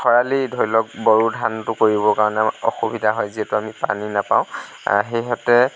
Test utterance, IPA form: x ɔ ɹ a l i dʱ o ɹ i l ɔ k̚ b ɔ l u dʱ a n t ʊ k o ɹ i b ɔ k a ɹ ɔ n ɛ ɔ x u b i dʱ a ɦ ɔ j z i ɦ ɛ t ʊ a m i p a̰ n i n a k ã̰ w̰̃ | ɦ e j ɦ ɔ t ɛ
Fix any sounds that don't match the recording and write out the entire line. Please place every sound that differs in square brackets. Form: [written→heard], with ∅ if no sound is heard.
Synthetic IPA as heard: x ɔ ɹ a l i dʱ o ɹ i l ɔ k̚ b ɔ [l→ɹ] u dʱ a n t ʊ k o ɹ i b ɔ k a ɹ ɔ n ɛ ɔ x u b i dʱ a ɦ ɔ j z i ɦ ɛ t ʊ a m i p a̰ n i n a [k→p] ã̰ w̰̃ | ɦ e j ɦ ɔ t ɛ